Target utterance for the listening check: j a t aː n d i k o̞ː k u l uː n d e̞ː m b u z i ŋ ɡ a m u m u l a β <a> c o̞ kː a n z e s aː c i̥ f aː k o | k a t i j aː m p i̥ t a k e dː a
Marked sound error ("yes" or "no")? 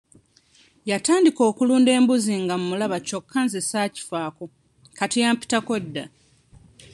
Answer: no